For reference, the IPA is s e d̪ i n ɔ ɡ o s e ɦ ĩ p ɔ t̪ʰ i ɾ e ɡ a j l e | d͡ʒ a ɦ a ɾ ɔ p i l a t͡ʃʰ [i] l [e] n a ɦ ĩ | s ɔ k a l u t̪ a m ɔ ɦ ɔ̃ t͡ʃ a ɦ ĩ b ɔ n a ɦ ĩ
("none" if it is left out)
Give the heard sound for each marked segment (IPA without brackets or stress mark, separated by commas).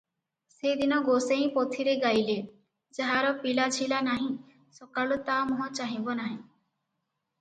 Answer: i, a